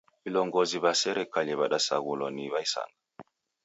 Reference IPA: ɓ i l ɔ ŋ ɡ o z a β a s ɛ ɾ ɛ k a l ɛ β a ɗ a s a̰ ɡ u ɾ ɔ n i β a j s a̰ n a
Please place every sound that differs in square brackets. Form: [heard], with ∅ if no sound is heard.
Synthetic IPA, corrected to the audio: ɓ i l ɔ ŋ ɡ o z [i] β a s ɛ ɾ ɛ k a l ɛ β a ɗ a s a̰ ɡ u [l] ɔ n i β a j s a̰ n a